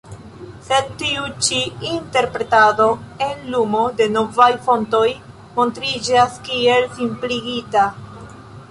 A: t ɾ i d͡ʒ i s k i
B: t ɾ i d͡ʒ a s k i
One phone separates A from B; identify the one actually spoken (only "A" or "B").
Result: B